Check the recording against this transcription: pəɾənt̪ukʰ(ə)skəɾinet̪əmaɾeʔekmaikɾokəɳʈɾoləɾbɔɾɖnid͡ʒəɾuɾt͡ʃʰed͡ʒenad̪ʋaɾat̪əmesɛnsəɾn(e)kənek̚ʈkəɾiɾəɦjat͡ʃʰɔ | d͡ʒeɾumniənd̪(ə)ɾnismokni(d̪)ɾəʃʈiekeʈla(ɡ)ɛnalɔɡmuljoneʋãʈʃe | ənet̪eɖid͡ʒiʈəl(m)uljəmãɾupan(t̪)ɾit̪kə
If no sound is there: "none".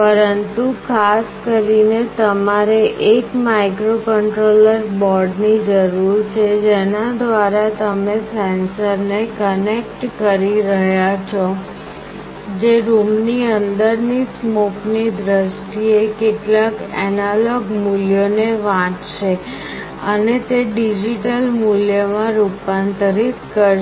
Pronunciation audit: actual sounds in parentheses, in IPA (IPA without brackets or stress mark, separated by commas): a, e, ə, d̪, k, m, t̪